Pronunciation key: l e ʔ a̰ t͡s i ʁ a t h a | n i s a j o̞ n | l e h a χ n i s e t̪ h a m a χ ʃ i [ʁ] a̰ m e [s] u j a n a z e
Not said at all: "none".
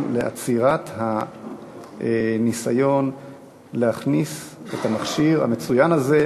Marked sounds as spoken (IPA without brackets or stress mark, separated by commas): ʁ, t͡s